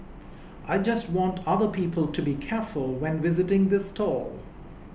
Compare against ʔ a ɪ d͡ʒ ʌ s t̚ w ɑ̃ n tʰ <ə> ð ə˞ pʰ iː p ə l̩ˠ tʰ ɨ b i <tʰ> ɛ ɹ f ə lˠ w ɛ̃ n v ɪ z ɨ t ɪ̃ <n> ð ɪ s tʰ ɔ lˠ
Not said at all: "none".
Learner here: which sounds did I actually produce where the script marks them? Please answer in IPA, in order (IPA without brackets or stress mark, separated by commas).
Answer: ʌ, kʰ, ŋ